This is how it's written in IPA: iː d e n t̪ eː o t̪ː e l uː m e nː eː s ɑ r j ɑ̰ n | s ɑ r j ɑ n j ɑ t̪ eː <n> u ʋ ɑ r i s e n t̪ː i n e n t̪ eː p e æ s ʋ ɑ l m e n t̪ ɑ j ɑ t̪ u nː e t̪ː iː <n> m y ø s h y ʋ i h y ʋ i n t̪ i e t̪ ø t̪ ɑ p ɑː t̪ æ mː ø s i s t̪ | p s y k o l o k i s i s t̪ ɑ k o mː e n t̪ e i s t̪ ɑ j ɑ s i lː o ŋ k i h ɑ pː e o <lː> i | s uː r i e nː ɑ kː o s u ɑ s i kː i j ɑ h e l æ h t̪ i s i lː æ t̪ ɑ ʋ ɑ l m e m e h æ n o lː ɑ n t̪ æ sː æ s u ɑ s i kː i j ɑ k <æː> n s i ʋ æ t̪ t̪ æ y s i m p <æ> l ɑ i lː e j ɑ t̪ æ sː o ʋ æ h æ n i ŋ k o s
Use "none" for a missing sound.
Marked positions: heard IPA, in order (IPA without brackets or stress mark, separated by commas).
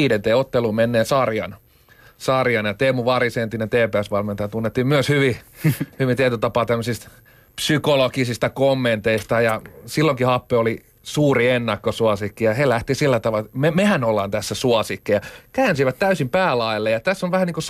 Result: m, m, l, æː, æː